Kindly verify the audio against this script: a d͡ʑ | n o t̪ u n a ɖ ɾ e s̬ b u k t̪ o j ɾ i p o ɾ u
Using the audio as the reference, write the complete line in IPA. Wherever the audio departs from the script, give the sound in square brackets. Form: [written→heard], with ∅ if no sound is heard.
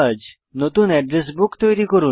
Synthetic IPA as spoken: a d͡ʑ | n o t̪ u n [a→ɛ] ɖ ɾ e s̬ b u k t̪ o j ɾ i [p→k] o ɾ u